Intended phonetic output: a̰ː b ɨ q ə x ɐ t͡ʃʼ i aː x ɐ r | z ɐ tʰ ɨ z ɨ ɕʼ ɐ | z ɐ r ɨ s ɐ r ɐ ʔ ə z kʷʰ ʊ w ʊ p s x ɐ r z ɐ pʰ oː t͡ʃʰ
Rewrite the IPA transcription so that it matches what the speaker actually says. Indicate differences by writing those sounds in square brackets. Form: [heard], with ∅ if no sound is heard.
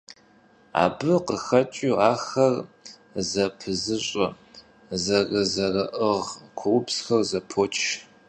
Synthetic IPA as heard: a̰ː b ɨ q ə x ɐ t͡ʃʼ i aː x ɐ r | z ɐ [pʰ] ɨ z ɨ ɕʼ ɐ | z ɐ r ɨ [z] ɐ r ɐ ʔ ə [ʁ] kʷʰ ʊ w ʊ p s x ɐ r z ɐ pʰ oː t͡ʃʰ